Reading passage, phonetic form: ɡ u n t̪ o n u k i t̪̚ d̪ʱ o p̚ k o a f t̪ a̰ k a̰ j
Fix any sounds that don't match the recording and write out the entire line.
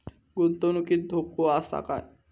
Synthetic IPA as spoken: ɡ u n t̪ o n u k i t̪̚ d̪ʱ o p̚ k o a s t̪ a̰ k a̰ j

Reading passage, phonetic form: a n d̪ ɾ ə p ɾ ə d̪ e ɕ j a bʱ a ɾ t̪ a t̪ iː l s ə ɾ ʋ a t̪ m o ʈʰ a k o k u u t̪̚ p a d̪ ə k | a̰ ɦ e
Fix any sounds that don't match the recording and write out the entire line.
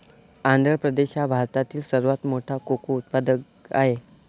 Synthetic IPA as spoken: a n d̪ ɾ ə p ɾ ə d̪ e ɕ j a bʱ a ɾ t̪ a t̪ iː l s ə ɾ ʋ a t̪ m o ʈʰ a k o k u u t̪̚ p a d̪ ə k | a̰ ɦ e

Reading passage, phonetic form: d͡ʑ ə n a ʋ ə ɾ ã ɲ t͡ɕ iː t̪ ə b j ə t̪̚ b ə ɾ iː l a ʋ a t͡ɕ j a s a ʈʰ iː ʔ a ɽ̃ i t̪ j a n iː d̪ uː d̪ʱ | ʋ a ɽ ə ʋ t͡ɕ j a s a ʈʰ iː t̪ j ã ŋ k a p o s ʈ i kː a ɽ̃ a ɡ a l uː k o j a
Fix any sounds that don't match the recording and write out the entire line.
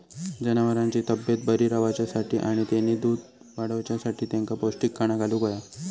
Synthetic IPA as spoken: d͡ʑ ə n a ʋ ə ɾ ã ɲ t͡ɕ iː t̪ ə b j ə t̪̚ b ə ɾ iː ɾ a ʋ a t͡ɕ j a s a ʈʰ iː ʔ a ɽ̃ i t̪ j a n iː d̪ uː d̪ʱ | ʋ a ɽ ə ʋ t͡ɕ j a s a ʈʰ iː t̪ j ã ŋ k a p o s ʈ i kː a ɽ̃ a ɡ a l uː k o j a

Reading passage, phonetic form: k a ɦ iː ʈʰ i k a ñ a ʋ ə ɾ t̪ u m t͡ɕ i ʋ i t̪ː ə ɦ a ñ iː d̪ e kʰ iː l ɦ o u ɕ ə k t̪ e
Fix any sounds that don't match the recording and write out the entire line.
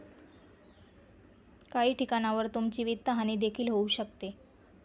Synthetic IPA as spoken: k a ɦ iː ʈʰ i k a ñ a ʋ ə ɾ t̪ u m t͡ɕ i ʋ i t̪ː ə ɦ a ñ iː d̪ e kʰ iː l ɦ o u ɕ ə k t̪ e

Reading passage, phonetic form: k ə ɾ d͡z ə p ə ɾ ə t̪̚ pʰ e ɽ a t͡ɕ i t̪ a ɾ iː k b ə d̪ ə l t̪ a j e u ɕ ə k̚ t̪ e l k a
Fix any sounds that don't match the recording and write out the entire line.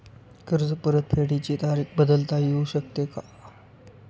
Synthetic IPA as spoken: k ə ɾ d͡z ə p ə ɾ ə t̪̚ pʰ e ɽ i t͡ɕ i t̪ a ɾ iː k b ə d̪ ə l t̪ a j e u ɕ ə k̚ t̪ e k a

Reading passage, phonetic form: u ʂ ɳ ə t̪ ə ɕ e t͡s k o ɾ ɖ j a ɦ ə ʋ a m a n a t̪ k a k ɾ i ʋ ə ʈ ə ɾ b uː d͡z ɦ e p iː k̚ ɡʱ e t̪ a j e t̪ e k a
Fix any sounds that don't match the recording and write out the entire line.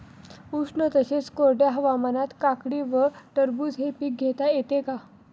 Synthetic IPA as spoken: u ʂ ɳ ə t̪ ə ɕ e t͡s k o ɾ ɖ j a ɦ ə ʋ a m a n a t̪ k a k ɽ i ʋ ə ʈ ə ɾ b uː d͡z ɦ e p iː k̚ ɡʱ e t̪ a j e t̪ e k a

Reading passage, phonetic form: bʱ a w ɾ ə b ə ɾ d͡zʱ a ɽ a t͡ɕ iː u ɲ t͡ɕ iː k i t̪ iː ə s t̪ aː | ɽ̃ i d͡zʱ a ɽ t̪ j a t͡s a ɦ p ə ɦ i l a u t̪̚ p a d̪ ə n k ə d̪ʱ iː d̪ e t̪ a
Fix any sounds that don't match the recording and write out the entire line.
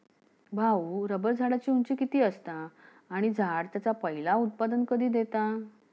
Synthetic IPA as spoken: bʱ a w ɾ ə b ə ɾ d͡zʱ a ɽ a t͡ɕ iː u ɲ t͡ɕ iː k i t̪ iː ə s t̪ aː | ɽ̃ i d͡zʱ a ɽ t̪ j a t͡s a p ə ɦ i l a u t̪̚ p a d̪ ə n k ə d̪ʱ iː d̪ e t̪ a

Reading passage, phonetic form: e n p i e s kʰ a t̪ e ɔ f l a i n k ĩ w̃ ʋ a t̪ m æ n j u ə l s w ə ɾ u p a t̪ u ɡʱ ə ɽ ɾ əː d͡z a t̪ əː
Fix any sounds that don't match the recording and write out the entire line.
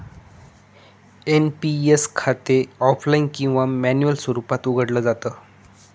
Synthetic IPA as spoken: e n p i e s kʰ a t̪ e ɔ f l a i n k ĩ w̃ ʋ a m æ n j u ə l s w ə ɾ u p a t̪ u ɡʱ ə ɽ l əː d͡z a t̪ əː

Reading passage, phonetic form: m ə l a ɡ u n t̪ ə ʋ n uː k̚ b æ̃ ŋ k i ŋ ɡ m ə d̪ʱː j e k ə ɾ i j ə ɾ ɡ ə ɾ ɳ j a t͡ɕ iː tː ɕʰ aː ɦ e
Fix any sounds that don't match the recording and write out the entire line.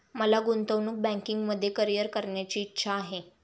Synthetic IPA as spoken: m ə l a ɡ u n t̪ ə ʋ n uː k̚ b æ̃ ŋ k i ŋ ɡ m ə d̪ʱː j e k ə ɾ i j ə ɾ k ə ɾ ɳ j a t͡ɕ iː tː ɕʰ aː ɦ e

